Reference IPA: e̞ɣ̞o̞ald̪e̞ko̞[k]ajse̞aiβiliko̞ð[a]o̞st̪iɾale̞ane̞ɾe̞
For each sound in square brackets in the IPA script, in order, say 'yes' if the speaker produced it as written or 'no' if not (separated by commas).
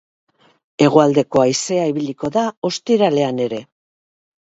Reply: no, yes